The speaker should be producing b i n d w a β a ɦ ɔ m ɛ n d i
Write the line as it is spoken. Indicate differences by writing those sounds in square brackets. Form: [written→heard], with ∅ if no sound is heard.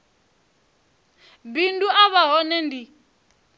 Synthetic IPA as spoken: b i n d [w→u] a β a ɦ ɔ [m→n] ɛ n d i